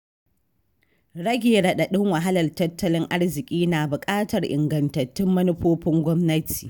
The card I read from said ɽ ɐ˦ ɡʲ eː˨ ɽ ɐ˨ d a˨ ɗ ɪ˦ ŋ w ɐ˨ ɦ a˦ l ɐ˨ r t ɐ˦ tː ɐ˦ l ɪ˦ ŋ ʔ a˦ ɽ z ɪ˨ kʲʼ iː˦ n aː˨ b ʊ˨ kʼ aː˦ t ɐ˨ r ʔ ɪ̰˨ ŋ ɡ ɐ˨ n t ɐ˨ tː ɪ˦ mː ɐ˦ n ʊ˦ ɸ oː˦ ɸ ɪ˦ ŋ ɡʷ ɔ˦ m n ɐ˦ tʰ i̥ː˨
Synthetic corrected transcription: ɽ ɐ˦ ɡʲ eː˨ ɽ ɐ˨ ɗ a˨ ɗ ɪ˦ ŋ w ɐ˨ ɦ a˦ l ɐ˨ r t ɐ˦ tː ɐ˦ l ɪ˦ ŋ ʔ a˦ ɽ z ɪ˨ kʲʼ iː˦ n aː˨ b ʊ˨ kʼ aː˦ t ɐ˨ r ʔ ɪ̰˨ ŋ ɡ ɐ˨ n t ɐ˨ tː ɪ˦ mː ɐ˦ n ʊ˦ ɸ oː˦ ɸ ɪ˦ ŋ ɡʷ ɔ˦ m n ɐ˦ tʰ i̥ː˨